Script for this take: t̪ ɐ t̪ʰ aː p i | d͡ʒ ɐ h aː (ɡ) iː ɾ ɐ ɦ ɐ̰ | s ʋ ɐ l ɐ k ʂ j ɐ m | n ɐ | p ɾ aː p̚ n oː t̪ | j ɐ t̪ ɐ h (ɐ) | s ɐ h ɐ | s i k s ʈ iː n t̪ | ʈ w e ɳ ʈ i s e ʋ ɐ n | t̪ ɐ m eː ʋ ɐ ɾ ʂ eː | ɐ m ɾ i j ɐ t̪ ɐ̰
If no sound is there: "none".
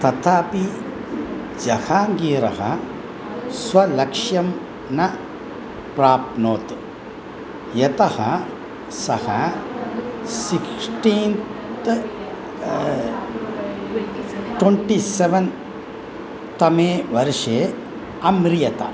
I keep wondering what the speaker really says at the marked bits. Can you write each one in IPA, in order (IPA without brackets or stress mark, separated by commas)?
ɡ, ɐ